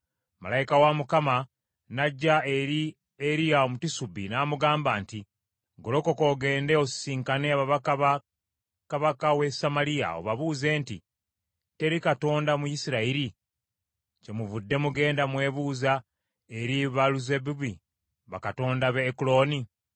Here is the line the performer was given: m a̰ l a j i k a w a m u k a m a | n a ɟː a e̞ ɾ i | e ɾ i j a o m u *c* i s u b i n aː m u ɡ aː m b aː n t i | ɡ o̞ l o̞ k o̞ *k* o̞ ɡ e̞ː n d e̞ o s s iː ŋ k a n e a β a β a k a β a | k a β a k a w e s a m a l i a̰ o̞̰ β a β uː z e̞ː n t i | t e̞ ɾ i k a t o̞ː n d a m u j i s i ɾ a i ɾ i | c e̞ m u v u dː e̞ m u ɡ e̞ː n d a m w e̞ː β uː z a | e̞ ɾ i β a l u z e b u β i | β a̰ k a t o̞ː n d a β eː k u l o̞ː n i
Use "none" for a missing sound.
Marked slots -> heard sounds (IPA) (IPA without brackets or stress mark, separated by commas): t, k